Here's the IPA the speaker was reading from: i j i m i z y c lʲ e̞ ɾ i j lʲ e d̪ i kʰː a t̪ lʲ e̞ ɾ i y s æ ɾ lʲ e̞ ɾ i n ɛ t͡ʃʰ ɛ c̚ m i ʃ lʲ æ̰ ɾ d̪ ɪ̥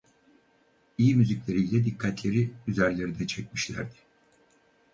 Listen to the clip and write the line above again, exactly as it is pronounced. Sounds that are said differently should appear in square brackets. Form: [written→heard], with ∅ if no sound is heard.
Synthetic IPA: i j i m [i→y] z [y→i] c lʲ e̞ ɾ i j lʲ [e→ɛ] d̪ i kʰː a t̪ lʲ e̞ ɾ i y [s→z] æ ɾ lʲ e̞ ɾ i n ɛ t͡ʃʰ ɛ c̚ m i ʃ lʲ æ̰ ɾ d̪ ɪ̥